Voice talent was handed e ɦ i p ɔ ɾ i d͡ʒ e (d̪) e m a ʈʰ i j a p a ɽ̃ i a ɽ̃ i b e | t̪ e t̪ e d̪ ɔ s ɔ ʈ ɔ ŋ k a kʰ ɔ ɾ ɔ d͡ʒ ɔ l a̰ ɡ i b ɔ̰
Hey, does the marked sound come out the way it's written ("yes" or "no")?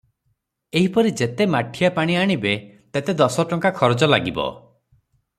no